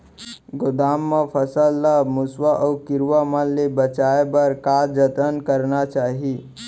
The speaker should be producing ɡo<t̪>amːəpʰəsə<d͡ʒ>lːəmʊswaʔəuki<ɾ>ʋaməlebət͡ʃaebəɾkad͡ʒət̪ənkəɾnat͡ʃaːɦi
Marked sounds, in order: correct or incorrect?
incorrect: d̪, incorrect: none, correct

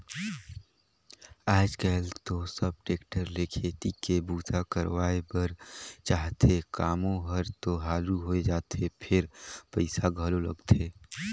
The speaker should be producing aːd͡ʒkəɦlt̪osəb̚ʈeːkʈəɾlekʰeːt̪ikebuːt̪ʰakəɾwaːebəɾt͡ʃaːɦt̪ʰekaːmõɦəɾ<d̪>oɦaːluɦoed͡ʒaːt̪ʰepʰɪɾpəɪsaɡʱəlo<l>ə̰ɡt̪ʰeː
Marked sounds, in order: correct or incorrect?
incorrect: t̪, correct

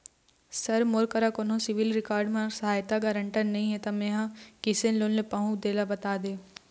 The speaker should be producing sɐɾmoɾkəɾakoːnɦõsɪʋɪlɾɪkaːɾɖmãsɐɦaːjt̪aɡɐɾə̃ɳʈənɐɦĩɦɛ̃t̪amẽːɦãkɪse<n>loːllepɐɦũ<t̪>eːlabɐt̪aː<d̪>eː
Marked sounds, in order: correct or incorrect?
correct, incorrect: d̪, correct

